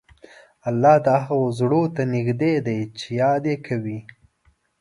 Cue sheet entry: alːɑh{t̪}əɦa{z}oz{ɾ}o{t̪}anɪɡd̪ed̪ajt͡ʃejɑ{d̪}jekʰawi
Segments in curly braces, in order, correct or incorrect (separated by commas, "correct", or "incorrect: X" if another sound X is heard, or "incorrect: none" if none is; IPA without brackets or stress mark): incorrect: d̪, incorrect: ɣ, incorrect: ɽ, correct, correct